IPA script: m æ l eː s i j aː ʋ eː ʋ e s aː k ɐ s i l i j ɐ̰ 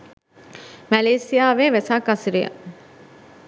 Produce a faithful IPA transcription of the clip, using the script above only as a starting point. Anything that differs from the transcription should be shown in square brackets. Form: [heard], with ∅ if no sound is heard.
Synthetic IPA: m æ l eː s i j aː ʋ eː ʋ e s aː k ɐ s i [ɾ] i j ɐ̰